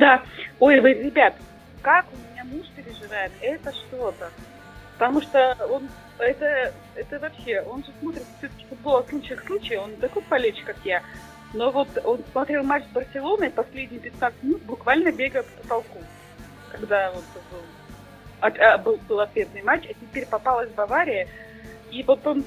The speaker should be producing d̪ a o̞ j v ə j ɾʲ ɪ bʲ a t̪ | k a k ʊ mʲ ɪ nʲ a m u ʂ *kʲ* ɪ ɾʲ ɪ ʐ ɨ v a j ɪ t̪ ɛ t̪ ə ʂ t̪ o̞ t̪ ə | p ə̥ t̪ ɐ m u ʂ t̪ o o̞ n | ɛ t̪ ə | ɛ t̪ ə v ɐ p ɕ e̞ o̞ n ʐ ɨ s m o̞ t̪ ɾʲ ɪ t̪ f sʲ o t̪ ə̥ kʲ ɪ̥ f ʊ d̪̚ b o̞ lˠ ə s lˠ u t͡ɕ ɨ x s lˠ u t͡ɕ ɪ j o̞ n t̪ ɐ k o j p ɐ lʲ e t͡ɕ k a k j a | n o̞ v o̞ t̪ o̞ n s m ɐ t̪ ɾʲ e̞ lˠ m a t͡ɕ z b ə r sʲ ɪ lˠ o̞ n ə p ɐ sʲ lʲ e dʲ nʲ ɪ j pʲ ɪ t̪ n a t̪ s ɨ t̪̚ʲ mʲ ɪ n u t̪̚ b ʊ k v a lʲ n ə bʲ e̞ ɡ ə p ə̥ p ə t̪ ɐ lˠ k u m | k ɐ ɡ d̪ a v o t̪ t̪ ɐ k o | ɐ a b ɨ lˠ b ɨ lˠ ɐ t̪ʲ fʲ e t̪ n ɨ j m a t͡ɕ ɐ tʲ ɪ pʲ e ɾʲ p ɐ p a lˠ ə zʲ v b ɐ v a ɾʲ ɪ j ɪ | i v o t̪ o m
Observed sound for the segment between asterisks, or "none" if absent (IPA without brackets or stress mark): pʲ